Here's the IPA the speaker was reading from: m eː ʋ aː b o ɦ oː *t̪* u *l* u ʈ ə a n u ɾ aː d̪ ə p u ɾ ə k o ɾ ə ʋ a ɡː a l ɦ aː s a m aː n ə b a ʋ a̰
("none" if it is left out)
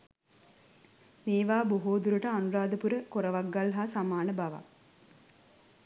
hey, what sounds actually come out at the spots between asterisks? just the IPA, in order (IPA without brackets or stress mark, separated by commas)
d̪, ɾ